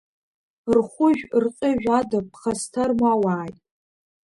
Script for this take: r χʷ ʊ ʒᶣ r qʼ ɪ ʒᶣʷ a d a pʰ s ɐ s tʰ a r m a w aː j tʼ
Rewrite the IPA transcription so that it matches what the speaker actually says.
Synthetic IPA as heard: r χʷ ʊ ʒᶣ r qʼ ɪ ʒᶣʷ a d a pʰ χ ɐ s tʰ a r m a w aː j tʼ